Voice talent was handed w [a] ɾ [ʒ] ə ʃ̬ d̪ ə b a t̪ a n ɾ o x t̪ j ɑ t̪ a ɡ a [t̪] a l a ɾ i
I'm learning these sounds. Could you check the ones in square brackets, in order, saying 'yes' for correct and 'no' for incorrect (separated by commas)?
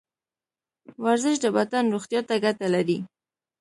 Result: yes, no, yes